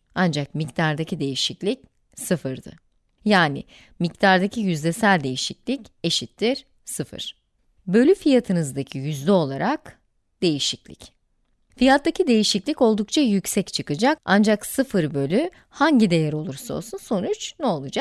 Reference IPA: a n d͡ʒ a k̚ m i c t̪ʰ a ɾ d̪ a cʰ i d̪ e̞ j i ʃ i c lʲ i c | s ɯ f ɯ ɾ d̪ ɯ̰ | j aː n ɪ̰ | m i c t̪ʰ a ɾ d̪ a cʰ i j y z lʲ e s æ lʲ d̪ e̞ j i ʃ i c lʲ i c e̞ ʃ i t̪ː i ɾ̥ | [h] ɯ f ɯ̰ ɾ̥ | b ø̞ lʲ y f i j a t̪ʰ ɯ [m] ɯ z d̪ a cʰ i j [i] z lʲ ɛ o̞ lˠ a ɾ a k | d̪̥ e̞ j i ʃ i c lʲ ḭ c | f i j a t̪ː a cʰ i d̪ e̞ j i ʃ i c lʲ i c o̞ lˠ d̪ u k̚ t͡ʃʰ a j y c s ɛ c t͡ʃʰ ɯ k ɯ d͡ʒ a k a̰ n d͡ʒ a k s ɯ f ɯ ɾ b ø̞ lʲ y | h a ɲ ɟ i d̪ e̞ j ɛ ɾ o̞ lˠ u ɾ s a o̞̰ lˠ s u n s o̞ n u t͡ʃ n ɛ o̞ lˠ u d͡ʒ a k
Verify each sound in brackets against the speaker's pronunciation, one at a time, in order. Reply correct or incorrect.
incorrect, incorrect, incorrect

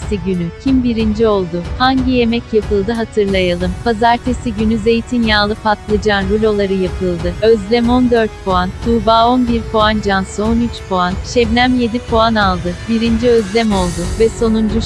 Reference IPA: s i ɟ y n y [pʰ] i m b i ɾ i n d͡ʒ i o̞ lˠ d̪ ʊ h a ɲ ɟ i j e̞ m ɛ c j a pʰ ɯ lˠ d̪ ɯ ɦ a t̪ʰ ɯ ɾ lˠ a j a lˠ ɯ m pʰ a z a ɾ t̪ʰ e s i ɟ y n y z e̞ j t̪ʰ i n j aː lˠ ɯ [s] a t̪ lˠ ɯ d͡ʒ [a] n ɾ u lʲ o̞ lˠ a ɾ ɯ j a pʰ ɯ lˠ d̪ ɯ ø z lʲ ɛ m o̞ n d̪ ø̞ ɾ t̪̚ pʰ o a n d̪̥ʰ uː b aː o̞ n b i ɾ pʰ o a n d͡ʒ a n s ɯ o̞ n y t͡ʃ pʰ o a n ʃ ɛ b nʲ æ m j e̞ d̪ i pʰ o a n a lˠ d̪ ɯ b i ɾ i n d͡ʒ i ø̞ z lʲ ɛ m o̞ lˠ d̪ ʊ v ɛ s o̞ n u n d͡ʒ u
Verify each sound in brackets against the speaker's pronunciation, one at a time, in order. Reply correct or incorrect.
incorrect, incorrect, correct

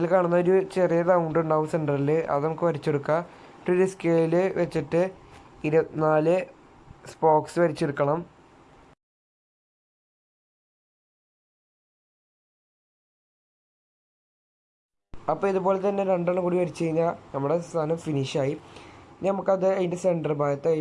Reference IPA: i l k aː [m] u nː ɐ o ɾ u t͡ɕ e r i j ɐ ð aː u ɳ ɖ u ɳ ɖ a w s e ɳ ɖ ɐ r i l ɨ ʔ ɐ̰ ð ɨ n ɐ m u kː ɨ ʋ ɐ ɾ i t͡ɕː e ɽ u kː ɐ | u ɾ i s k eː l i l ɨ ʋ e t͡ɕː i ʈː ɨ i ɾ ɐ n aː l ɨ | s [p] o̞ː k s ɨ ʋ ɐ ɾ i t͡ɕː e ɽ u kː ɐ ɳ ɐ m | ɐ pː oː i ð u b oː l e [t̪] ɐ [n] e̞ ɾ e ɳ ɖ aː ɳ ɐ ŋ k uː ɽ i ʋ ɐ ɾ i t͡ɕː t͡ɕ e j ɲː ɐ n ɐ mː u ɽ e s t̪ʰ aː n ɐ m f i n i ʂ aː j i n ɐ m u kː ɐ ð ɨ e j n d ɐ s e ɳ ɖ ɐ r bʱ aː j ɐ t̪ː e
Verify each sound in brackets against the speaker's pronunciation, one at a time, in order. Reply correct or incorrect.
incorrect, correct, correct, incorrect

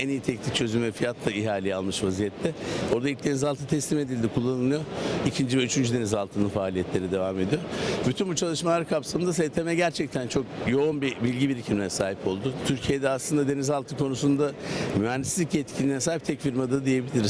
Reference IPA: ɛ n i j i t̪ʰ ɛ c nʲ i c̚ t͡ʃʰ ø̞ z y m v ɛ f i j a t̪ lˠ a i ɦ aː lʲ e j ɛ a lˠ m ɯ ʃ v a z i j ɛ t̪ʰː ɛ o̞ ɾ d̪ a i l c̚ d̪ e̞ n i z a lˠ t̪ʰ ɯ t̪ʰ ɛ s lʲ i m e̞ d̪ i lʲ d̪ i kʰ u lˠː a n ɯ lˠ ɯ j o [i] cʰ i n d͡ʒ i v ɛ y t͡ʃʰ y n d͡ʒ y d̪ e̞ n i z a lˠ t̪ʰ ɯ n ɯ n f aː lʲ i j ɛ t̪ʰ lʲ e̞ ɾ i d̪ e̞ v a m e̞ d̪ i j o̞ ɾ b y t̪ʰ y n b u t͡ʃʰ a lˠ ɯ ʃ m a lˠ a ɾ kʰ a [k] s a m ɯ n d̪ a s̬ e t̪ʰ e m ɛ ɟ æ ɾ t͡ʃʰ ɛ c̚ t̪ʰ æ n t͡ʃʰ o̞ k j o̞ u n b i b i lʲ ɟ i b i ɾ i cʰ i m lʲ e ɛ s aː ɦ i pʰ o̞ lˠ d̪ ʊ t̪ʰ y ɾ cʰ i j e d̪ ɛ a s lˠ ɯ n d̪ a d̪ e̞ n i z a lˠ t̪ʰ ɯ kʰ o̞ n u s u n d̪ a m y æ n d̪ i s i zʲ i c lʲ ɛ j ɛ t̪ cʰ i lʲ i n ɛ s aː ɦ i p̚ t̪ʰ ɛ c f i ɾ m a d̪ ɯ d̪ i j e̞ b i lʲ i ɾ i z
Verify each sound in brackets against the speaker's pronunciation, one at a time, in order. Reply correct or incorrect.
correct, incorrect

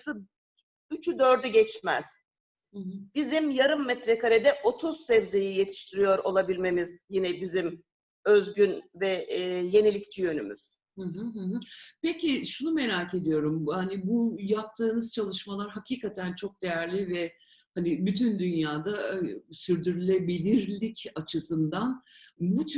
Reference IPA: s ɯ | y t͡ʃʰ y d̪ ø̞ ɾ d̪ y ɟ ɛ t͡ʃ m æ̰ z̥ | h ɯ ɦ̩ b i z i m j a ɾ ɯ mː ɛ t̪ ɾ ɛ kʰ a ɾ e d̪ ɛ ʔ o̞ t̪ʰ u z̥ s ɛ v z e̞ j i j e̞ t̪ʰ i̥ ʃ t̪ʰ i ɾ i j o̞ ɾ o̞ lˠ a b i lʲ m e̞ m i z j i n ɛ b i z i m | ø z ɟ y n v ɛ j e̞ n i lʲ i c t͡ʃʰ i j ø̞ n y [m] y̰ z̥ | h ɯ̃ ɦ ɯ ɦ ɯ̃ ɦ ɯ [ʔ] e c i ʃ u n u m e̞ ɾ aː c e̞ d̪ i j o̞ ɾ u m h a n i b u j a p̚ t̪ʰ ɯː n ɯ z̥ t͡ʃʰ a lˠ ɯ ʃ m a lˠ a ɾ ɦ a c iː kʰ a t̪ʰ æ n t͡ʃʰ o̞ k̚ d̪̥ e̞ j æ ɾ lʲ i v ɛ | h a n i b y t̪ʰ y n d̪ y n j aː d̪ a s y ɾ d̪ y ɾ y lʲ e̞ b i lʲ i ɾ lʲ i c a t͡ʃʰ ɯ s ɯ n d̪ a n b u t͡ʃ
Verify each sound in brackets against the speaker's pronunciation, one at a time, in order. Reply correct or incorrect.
correct, incorrect

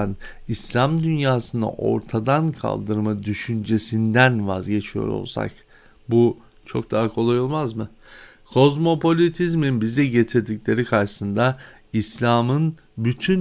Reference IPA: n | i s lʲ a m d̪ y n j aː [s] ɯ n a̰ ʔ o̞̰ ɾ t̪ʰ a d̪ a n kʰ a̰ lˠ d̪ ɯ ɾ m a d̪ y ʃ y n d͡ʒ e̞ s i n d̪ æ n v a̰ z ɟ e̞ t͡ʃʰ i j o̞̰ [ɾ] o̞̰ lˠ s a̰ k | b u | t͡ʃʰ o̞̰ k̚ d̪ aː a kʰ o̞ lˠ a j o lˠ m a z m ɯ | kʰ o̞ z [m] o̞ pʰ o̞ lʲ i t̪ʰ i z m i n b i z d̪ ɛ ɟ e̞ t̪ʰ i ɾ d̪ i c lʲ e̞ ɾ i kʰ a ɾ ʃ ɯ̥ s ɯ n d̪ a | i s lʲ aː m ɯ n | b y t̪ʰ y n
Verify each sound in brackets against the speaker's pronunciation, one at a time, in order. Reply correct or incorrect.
correct, correct, correct

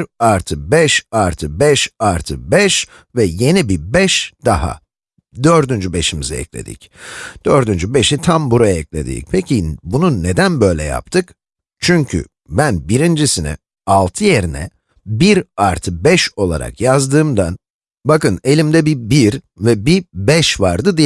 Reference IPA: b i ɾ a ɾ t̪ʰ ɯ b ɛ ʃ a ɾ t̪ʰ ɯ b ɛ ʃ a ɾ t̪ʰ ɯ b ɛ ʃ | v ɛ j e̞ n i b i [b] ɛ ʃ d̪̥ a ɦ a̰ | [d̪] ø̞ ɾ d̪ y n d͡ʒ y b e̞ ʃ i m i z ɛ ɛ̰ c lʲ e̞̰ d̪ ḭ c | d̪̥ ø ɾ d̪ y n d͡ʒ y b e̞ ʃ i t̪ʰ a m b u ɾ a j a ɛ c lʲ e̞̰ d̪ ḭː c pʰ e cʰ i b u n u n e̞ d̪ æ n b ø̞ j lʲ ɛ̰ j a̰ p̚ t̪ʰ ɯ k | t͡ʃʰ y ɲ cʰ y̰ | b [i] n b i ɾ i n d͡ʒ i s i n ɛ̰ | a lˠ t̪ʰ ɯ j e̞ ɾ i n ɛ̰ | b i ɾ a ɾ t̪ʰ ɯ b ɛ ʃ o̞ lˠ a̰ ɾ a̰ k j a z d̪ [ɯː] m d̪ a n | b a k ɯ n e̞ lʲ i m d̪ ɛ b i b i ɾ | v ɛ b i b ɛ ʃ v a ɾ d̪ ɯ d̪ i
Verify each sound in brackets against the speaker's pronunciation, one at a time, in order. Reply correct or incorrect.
correct, correct, incorrect, correct

